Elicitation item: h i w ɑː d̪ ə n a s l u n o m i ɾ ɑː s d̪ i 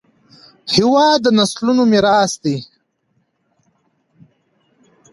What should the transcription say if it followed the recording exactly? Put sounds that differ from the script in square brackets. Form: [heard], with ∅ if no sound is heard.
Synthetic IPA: h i w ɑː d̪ ə n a s l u n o m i ɾ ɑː s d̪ i